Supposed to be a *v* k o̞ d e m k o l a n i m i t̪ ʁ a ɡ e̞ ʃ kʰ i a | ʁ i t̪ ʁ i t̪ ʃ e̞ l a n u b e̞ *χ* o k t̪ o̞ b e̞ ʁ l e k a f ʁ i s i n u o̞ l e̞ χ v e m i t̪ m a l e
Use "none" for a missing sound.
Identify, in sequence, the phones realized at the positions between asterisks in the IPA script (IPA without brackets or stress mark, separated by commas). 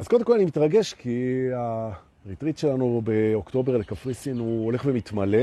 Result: z, none